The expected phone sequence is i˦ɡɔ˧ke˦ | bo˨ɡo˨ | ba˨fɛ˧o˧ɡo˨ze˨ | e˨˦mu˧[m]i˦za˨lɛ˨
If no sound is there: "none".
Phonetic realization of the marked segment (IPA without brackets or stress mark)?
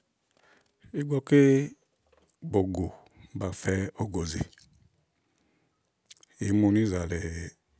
n